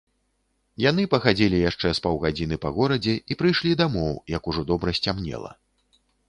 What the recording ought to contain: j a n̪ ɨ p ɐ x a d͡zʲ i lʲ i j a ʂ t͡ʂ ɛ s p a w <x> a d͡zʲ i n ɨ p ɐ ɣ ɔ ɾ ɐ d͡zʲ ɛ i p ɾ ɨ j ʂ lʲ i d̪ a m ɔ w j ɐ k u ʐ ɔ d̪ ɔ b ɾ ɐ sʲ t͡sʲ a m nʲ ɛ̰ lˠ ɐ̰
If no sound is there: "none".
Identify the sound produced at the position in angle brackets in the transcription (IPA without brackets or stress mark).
ɣ